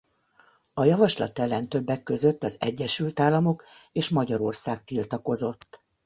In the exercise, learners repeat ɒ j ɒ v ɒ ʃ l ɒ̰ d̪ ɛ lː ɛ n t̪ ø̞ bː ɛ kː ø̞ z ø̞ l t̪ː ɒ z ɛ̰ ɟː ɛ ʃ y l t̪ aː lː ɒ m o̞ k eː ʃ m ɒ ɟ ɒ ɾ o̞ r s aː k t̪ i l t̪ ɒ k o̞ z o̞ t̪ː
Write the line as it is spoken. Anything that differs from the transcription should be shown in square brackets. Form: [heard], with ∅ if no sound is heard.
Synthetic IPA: ɒ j ɒ v ɒ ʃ l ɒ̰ [t̪] ɛ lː ɛ n t̪ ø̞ bː ɛ kː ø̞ z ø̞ [∅] t̪ː ɒ z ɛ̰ ɟː ɛ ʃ y l t̪ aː lː ɒ m o̞ k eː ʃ m ɒ ɟ ɒ ɾ o̞ r s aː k t̪ i l t̪ ɒ k o̞ z o̞ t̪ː